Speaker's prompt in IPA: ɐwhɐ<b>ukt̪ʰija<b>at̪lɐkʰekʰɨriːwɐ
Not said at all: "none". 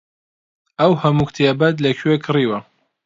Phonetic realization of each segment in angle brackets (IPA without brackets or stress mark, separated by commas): m, b